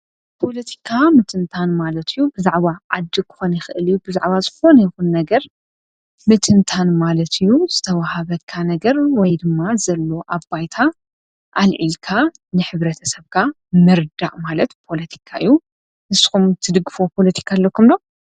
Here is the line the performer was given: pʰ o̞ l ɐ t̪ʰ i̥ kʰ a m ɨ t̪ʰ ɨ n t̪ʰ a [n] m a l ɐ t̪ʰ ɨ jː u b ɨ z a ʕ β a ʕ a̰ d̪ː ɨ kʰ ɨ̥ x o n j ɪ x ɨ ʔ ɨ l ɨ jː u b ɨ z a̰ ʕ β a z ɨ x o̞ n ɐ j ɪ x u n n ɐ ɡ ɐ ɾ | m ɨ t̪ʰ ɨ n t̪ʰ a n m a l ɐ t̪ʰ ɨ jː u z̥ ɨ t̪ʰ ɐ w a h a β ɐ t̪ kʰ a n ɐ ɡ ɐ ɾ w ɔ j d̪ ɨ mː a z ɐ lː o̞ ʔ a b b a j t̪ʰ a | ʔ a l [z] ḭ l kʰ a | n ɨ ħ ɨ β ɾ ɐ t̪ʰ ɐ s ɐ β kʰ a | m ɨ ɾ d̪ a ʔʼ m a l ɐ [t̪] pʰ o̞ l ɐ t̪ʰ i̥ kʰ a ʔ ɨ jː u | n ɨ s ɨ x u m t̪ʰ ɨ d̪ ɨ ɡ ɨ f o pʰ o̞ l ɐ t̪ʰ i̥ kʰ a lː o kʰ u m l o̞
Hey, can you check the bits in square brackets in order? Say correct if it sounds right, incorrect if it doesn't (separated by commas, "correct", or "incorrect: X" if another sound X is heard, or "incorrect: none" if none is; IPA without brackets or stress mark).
correct, incorrect: ʕ, correct